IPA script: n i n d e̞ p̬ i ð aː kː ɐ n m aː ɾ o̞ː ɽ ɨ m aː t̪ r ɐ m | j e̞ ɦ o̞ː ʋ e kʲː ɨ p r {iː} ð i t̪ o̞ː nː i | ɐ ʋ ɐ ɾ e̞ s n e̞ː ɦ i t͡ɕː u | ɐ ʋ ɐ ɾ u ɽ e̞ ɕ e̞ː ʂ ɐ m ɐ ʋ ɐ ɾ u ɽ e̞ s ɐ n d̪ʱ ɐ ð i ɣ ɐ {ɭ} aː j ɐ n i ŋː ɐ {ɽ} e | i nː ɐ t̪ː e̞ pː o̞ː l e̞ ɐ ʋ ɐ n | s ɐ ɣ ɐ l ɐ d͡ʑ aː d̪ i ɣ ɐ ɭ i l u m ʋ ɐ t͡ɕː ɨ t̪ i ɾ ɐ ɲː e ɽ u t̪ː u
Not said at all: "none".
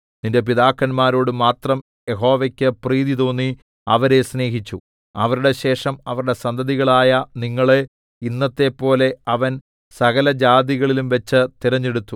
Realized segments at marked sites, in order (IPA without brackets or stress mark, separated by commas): iː, ɭ, ɭ